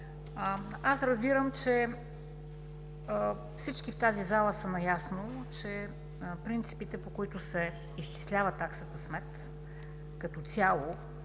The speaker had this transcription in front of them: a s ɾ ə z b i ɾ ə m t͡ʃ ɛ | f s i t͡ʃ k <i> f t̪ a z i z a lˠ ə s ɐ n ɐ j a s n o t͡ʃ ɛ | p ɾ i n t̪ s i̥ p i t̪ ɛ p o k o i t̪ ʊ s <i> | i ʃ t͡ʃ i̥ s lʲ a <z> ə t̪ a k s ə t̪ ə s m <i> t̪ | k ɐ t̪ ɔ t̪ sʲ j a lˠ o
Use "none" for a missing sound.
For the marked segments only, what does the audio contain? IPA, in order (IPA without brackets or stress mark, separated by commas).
i, ɛ, v, ɛ